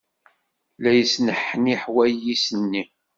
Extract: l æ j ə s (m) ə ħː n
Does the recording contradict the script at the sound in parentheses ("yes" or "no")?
yes